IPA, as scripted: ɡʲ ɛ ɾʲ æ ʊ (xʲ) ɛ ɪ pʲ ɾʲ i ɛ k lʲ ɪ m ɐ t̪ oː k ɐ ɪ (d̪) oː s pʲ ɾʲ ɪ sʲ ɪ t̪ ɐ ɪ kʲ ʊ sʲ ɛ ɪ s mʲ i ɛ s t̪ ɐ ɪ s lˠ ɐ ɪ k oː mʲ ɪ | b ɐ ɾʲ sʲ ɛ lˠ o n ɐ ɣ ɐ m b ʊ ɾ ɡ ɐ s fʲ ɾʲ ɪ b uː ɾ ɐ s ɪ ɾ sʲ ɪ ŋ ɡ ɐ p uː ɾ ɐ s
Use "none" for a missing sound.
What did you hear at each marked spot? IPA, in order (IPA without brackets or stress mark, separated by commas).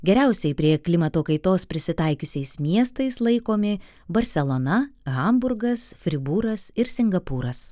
sʲ, t̪